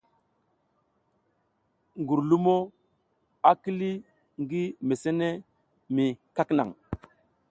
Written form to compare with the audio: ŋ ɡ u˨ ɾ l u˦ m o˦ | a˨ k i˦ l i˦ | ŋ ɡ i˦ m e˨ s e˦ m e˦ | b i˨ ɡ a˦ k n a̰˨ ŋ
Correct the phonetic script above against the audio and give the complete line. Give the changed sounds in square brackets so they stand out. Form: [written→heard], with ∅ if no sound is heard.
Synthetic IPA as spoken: ŋ ɡ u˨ ɾ l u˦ m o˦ | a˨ k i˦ l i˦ | ŋ ɡ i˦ m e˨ s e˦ [m→n] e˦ | [b→m] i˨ [ɡ→k] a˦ k n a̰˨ ŋ

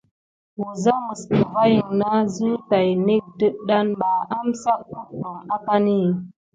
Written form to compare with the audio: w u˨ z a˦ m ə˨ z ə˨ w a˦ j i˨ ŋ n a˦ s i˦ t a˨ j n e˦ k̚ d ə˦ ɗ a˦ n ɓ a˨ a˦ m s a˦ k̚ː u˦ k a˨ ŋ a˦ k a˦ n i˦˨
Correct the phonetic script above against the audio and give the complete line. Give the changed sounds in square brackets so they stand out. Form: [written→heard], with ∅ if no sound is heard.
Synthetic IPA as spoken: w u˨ z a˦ m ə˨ [z→s] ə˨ [w→v] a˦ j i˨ ŋ n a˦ [s→z] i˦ t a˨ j n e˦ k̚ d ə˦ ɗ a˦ n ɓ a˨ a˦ m s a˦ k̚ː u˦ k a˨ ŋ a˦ k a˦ n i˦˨

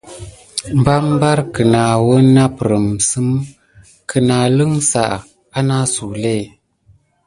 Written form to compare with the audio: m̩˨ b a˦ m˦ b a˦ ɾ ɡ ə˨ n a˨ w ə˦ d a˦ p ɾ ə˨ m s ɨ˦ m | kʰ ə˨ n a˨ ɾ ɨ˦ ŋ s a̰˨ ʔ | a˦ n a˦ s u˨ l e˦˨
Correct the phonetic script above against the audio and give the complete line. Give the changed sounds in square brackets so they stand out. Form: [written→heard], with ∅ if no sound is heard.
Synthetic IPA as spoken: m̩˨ b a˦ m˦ b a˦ ɾ [ɡ→k] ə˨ n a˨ w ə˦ [d→n] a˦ p ɾ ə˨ m s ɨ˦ m | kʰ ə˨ n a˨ [ɾ→l] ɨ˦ ŋ s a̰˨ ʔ | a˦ n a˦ s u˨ l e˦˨

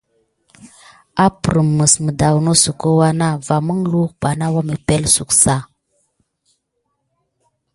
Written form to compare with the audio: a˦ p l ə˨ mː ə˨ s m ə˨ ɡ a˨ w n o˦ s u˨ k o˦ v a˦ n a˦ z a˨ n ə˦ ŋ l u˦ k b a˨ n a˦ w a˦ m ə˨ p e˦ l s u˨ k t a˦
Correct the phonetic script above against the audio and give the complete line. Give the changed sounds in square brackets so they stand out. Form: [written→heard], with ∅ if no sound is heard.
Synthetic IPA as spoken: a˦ p [l→ɾ] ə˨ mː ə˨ s m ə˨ [ɡ→d] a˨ w n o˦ s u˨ k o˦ [v→w] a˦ n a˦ [z→v] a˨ [n→m] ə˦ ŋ l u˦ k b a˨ n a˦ w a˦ m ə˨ p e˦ l s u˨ k [t→s] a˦

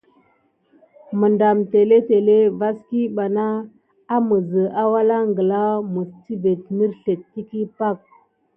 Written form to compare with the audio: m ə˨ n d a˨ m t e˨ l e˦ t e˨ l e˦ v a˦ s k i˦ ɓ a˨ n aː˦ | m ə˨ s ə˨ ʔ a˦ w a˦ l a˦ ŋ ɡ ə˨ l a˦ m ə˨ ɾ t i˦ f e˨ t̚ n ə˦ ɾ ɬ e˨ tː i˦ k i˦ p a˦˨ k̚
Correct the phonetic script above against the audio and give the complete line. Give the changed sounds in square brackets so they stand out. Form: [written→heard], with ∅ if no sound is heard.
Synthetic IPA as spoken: m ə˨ n d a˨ m t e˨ l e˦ t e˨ l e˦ v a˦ s k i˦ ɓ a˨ n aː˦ | m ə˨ [s→z] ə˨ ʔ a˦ w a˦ l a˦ ŋ ɡ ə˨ l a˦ m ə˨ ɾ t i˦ [f→v] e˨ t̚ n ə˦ ɾ ɬ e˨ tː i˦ k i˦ p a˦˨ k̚

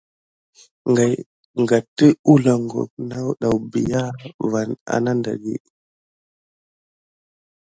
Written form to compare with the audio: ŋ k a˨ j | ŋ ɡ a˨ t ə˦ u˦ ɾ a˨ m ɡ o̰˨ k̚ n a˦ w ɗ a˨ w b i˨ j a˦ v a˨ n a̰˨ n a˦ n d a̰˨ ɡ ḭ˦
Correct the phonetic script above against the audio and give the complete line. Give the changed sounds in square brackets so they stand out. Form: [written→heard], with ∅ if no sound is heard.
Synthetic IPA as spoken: ŋ [k→ɡ] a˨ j | ŋ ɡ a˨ t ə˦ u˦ [ɾ→l] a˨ [m→ŋ] ɡ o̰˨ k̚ n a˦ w ɗ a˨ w b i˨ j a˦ v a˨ n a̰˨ n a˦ n d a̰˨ ɡ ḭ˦

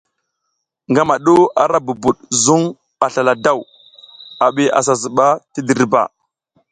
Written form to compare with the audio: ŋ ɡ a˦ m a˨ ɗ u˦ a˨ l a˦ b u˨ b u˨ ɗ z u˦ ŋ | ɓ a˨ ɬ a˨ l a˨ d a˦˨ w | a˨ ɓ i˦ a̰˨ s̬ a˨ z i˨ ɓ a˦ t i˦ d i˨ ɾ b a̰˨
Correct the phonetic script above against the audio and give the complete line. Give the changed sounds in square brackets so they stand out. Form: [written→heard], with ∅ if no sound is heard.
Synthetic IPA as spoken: ŋ ɡ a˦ m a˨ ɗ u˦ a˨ [l→ɾ] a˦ b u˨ b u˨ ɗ z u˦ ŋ | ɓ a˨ ɬ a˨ l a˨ d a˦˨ w | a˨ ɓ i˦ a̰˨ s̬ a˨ z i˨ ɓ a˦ t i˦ d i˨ ɾ b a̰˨

